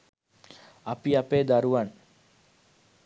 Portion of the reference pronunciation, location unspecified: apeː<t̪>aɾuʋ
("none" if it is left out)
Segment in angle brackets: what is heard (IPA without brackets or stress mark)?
d̪